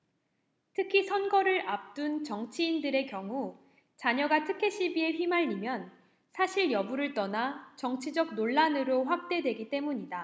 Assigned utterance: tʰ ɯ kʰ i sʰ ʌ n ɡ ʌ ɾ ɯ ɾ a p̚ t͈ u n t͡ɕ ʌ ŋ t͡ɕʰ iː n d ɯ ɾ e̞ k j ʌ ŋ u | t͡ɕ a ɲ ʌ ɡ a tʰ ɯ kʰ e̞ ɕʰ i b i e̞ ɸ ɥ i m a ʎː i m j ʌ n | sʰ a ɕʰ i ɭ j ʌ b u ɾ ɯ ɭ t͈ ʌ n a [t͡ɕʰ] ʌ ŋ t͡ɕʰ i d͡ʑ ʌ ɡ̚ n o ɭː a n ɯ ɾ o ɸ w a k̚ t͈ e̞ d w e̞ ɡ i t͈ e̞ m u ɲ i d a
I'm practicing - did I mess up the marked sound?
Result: yes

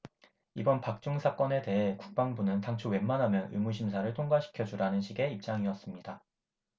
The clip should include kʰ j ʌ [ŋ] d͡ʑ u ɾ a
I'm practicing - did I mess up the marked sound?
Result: yes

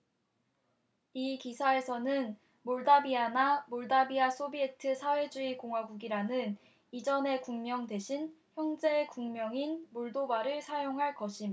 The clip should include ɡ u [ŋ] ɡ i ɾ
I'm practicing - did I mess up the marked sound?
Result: yes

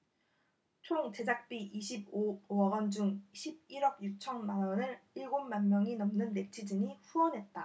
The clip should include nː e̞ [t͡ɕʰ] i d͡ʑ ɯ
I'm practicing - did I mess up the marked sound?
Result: no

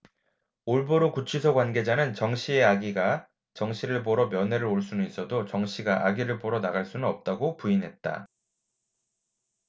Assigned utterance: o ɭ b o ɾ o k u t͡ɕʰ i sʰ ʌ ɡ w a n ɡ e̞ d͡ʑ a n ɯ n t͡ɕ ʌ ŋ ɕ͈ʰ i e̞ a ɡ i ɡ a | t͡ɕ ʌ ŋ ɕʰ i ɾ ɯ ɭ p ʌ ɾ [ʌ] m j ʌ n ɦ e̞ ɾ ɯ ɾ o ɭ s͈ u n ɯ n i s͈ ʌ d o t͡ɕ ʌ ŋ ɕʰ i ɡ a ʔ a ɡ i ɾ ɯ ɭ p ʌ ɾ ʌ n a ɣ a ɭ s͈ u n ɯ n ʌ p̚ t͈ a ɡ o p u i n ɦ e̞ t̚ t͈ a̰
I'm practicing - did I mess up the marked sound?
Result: no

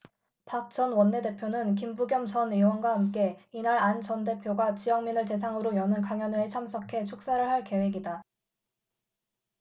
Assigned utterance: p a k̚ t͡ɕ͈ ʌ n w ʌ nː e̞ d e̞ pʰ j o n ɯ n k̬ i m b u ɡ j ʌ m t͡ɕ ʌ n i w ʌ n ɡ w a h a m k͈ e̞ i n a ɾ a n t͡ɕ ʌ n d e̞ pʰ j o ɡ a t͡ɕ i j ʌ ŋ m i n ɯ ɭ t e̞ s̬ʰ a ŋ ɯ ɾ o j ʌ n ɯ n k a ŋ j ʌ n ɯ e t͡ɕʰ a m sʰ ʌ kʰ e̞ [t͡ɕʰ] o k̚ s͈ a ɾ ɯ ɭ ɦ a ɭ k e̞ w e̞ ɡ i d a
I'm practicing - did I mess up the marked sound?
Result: no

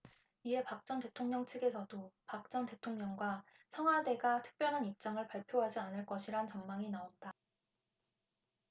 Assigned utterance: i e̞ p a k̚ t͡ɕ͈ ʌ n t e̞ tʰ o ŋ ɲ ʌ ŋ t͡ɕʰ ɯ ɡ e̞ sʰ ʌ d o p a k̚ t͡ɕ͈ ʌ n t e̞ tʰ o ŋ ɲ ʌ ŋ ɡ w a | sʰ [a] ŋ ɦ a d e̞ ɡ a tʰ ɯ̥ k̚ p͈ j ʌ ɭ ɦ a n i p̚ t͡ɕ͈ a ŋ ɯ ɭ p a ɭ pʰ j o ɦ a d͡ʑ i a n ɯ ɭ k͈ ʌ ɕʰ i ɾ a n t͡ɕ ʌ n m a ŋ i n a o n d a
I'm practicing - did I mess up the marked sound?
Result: yes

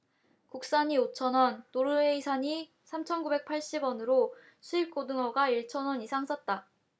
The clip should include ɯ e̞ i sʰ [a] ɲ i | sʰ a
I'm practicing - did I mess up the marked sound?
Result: no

